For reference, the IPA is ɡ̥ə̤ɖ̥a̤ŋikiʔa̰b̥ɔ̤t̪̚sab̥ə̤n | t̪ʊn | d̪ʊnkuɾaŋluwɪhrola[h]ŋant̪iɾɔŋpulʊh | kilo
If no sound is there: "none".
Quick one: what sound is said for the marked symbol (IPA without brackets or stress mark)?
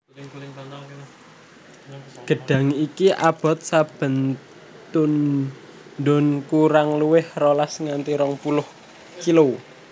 s